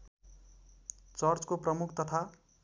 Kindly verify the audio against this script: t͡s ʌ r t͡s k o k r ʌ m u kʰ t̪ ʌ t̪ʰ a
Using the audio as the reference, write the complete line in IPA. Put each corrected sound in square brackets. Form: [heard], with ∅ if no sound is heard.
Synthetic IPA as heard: t͡s ʌ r t͡s k o [p] r ʌ m u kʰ t̪ ʌ t̪ʰ a